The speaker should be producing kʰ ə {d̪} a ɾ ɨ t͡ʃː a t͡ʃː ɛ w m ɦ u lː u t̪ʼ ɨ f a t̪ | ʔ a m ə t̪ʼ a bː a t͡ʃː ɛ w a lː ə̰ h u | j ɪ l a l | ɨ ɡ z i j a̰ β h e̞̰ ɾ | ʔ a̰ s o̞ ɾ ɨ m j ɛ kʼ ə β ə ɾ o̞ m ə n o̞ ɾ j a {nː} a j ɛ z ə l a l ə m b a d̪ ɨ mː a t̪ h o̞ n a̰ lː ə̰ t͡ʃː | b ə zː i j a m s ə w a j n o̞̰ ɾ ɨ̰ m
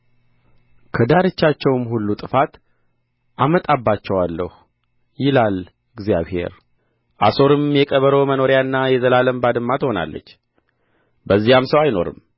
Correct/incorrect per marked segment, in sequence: correct, correct

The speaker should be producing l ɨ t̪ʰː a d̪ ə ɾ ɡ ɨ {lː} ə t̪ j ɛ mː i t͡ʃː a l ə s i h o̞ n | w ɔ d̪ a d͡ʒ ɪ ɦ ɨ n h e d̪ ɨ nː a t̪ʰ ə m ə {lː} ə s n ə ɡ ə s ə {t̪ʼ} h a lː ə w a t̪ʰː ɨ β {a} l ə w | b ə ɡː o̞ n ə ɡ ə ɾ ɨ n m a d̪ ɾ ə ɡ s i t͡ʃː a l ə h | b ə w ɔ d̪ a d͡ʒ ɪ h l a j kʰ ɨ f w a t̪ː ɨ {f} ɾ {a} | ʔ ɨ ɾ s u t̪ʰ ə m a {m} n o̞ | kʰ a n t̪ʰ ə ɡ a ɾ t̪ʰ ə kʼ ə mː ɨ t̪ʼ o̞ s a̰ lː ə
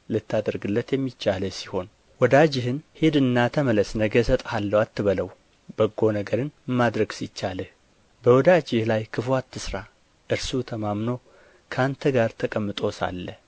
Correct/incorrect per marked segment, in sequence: correct, incorrect, correct, incorrect, incorrect, correct, correct

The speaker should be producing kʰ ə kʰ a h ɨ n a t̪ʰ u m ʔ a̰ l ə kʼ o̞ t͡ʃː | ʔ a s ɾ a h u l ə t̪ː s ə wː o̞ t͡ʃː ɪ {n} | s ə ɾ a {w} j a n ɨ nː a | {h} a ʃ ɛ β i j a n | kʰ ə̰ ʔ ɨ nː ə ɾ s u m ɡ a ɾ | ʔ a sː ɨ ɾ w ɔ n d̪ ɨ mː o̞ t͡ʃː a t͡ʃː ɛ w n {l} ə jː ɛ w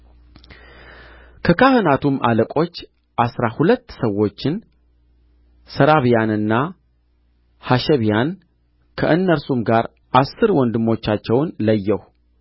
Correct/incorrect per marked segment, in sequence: correct, incorrect, correct, correct

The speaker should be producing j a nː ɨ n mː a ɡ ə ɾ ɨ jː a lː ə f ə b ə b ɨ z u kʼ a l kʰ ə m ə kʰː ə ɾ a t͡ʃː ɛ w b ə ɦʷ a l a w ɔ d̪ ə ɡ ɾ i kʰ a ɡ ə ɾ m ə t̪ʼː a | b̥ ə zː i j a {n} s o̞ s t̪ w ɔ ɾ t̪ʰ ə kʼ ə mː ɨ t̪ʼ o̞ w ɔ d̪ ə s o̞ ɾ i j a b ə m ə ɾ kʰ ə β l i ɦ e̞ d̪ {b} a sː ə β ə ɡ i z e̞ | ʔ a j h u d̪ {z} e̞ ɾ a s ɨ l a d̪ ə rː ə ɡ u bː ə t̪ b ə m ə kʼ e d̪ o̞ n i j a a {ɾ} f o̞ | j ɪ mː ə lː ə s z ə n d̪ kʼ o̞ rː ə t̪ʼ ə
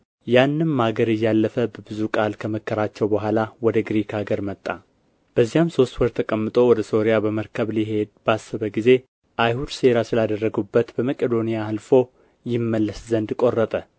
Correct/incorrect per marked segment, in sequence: incorrect, correct, incorrect, incorrect

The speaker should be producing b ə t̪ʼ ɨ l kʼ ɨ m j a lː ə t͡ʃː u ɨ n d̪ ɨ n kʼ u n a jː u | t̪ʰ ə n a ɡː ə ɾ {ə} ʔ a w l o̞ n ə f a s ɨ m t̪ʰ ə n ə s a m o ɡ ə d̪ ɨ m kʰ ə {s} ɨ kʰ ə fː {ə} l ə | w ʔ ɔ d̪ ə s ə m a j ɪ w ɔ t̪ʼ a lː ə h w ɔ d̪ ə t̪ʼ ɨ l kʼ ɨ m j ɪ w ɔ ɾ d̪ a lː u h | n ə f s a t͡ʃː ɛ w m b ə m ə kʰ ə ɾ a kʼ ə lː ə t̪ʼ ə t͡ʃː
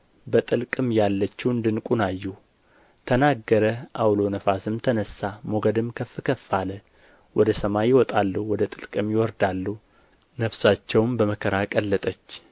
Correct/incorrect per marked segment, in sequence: correct, incorrect, incorrect

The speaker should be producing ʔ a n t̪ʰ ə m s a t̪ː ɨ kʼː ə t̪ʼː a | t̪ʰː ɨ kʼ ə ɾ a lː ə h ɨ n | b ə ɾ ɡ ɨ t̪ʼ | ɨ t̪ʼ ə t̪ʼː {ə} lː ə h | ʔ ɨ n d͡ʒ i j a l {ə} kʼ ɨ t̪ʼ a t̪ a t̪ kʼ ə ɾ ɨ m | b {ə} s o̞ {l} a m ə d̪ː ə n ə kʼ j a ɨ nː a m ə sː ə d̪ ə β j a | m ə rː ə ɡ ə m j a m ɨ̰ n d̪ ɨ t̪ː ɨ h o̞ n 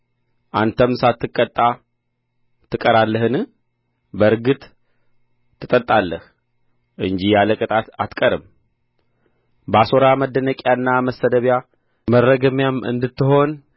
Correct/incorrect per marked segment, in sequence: incorrect, correct, incorrect, incorrect

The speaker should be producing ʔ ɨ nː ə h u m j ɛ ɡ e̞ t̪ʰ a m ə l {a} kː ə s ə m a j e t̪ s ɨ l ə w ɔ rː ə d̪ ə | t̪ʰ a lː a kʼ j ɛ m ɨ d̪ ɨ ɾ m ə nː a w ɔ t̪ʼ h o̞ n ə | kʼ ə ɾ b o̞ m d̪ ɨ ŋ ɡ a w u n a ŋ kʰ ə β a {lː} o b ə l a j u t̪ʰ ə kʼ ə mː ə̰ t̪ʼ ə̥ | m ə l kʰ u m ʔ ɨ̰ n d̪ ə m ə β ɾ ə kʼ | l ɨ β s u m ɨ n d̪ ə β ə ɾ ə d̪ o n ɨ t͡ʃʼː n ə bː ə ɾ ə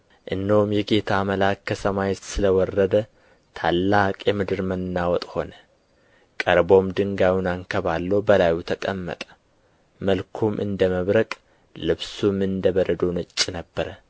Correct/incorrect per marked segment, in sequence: correct, correct

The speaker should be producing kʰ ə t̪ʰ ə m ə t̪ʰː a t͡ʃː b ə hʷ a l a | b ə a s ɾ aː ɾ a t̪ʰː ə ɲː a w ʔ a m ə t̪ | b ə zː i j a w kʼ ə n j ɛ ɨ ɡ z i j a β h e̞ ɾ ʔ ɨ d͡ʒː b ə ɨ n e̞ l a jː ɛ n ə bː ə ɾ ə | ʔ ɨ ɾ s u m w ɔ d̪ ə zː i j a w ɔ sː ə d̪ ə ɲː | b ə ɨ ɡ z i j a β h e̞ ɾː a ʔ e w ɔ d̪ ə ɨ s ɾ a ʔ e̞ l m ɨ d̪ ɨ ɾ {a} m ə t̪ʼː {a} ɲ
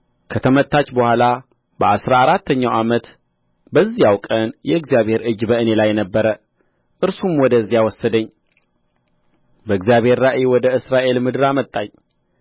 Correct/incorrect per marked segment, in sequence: correct, correct

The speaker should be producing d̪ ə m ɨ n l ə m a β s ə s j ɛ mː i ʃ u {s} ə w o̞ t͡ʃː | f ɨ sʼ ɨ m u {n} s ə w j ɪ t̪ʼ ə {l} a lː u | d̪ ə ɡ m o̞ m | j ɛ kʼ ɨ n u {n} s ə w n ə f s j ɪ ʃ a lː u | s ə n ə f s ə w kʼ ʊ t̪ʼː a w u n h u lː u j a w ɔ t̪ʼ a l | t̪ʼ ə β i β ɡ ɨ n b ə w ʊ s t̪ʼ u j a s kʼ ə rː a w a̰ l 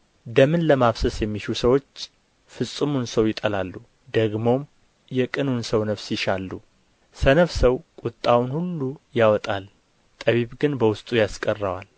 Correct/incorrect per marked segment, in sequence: correct, correct, correct, correct

